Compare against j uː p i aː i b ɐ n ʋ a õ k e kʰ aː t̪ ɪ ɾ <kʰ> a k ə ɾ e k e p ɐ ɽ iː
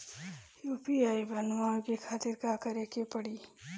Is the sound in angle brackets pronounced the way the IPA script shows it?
no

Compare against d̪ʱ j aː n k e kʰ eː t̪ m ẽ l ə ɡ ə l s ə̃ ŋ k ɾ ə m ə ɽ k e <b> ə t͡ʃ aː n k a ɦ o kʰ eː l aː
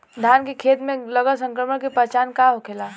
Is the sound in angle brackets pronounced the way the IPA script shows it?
no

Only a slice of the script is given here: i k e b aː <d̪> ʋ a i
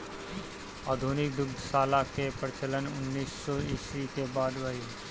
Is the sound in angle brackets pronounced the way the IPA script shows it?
yes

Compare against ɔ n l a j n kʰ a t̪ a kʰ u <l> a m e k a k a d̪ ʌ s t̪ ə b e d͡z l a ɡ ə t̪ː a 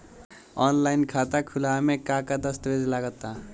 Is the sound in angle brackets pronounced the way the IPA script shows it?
yes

